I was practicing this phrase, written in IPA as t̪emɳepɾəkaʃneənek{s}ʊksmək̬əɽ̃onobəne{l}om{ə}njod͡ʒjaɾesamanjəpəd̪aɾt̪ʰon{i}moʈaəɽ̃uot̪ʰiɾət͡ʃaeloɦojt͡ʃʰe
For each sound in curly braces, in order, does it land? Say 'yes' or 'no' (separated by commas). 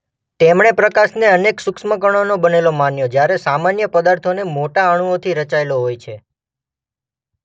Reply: yes, yes, no, no